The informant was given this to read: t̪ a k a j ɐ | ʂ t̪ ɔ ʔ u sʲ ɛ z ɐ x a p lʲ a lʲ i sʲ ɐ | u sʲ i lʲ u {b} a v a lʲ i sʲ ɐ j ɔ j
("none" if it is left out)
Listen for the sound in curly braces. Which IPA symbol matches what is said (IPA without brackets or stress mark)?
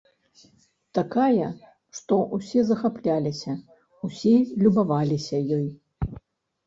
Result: b